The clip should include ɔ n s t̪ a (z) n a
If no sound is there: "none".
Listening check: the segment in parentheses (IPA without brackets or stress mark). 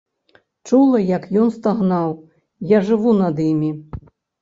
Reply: ɣ